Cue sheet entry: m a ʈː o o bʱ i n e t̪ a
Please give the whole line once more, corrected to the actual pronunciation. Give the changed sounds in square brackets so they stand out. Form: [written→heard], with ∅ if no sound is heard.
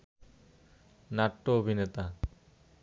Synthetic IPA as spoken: [m→n] a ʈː o o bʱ i n e t̪ a